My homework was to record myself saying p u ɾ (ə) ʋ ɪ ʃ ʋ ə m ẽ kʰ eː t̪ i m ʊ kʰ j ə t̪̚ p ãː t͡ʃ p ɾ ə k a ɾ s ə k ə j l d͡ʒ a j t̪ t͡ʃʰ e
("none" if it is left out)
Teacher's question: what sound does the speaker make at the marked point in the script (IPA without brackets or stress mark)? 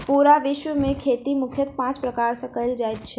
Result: a